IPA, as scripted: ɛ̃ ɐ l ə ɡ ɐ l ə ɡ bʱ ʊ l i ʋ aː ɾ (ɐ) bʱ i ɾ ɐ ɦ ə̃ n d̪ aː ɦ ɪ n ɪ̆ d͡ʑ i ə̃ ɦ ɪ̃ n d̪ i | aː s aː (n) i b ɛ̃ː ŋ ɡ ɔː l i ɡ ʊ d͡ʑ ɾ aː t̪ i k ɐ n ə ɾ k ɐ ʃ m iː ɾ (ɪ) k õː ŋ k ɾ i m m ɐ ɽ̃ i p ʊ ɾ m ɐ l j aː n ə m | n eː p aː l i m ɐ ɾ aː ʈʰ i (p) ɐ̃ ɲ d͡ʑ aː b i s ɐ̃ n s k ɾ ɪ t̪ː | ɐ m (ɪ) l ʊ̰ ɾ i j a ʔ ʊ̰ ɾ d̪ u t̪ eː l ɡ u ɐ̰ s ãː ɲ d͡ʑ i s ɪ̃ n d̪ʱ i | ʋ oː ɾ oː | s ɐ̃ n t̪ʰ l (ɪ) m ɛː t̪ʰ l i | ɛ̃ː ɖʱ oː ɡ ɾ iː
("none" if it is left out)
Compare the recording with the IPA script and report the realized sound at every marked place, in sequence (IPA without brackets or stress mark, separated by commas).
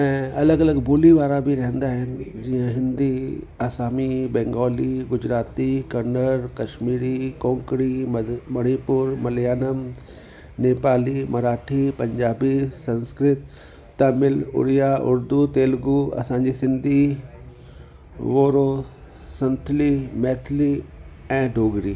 a, m, i, p, ɪ, i